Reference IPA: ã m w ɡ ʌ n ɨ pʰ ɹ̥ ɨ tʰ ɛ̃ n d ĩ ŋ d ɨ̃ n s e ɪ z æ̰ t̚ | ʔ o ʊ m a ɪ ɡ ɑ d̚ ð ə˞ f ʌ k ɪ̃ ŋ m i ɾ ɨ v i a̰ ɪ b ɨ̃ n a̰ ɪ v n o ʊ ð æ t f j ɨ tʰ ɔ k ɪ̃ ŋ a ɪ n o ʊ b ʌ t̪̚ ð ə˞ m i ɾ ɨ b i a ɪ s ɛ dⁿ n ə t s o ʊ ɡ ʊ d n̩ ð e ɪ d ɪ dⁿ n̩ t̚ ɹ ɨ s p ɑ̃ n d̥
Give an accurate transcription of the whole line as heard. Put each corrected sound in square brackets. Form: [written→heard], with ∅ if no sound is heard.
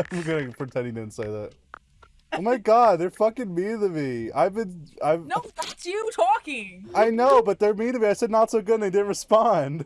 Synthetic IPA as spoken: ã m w ɡ ʌ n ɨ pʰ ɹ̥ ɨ tʰ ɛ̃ n d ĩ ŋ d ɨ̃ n s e ɪ [z→ð] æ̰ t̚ | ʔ o ʊ m a ɪ ɡ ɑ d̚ ð ə˞ f ʌ k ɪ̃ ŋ m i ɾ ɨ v i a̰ ɪ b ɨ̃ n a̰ ɪ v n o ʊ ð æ t [f→s] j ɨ tʰ ɔ k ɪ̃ ŋ a ɪ n o ʊ b ʌ t̪̚ ð ə˞ m i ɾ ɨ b i a ɪ s ɛ dⁿ n ə t s o ʊ ɡ ʊ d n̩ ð e ɪ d ɪ dⁿ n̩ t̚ ɹ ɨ s p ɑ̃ n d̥

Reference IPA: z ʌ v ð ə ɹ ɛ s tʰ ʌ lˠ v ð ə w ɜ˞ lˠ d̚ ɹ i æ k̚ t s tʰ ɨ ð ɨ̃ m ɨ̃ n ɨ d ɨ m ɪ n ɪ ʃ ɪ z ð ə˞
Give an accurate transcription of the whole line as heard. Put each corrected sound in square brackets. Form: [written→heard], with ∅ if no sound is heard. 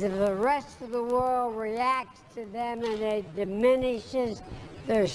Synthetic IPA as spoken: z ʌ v ð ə ɹ ɛ s [tʰ→t] ʌ [lˠ→∅] v ð ə w ɜ˞ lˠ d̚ ɹ i æ k̚ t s tʰ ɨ ð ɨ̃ m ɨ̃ n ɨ d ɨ m ɪ n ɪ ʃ ɪ z ð ə˞

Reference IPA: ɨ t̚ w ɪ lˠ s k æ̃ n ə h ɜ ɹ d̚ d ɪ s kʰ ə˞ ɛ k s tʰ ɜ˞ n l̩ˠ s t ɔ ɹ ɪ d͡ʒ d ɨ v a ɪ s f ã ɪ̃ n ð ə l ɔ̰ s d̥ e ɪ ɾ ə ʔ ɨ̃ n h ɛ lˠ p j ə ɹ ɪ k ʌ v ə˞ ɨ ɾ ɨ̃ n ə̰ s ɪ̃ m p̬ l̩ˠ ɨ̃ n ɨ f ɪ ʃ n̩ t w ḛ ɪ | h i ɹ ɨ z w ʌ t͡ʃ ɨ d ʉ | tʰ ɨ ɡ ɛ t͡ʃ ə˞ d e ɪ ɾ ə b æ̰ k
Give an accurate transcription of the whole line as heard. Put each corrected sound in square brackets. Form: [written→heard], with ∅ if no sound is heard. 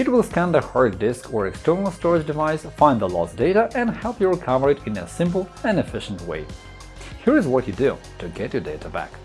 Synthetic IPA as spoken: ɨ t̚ w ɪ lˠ s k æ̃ n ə h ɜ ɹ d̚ d ɪ s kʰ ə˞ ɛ k s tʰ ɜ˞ n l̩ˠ s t ɔ ɹ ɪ d͡ʒ d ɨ v a ɪ s f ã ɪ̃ n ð ə l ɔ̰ s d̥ e ɪ ɾ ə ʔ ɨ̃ n h ɛ lˠ p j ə ɹ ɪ [k→kʰ] ʌ v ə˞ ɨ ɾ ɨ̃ n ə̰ s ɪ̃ m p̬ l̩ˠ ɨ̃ n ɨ f ɪ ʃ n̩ t w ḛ ɪ | h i ɹ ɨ z w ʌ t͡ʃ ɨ d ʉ | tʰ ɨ ɡ ɛ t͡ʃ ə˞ d e ɪ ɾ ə b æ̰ k

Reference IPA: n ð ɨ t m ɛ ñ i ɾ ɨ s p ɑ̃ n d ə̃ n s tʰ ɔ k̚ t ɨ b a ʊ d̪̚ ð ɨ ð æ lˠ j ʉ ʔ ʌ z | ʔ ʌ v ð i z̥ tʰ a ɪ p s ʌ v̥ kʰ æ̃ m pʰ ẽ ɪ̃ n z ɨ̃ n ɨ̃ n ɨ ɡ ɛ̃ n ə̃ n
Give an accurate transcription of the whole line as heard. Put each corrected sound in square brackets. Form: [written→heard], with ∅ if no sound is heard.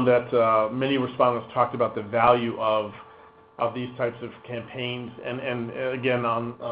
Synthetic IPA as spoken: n ð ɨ t m ɛ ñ i [ɾ→ɹ] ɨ s p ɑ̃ n d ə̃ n s tʰ ɔ k̚ t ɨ b a ʊ [d̪̚→t̪̚] ð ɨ [ð→v] æ lˠ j ʉ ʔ ʌ [z→v] | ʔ ʌ v ð i z̥ tʰ a ɪ p s ʌ v̥ kʰ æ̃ m pʰ ẽ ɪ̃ n z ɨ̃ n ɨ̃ n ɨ ɡ ɛ̃ n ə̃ n

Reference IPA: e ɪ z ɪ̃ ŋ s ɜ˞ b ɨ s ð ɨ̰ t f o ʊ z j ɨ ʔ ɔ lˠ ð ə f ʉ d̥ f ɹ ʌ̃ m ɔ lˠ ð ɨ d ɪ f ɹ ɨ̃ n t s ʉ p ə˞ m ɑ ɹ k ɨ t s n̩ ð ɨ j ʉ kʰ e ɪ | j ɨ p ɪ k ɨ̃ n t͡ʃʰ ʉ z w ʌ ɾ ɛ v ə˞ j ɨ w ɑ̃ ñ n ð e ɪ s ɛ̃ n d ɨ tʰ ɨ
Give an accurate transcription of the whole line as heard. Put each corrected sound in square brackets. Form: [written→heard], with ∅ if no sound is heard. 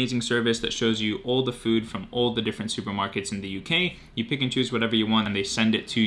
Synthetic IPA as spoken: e ɪ z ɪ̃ ŋ s ɜ˞ [b→v] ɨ s ð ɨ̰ t [f→ʃ] o ʊ z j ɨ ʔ ɔ lˠ ð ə f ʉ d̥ f ɹ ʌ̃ m ɔ lˠ ð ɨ d ɪ f ɹ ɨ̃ n t s ʉ p ə˞ m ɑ ɹ k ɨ t s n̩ ð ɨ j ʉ kʰ e ɪ | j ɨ p ɪ k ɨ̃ n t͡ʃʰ ʉ z w ʌ ɾ ɛ v ə˞ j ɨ w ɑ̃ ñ n ð e ɪ s ɛ̃ n d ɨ tʰ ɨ

